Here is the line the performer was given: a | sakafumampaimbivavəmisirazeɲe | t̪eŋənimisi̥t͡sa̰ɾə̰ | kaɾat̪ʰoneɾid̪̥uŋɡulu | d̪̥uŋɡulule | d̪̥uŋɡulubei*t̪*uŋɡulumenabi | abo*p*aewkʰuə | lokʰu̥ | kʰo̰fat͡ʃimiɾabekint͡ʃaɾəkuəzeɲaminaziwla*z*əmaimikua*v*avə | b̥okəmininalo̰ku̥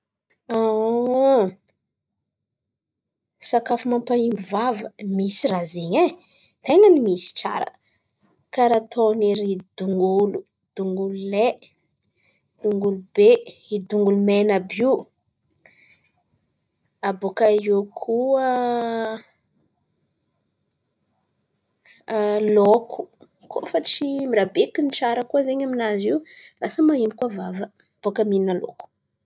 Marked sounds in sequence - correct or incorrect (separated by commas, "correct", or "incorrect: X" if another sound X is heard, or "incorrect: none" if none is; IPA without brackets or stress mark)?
incorrect: d̪, incorrect: k, incorrect: s, correct